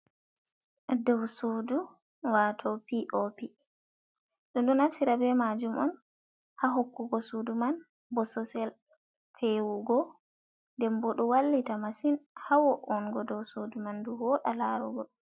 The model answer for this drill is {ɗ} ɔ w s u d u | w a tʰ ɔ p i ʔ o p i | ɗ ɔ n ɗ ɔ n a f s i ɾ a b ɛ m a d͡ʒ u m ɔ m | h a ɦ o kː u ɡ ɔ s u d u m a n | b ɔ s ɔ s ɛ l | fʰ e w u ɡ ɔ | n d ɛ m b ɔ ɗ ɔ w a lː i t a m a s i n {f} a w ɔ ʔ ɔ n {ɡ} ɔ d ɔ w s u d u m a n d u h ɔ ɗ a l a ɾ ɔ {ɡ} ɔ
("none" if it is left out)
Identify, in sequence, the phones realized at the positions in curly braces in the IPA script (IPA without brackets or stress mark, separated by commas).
d, h, ɡ, ɡ